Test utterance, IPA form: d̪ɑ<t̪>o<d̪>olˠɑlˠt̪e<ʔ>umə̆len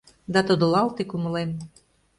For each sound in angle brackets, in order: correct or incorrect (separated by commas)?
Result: correct, correct, incorrect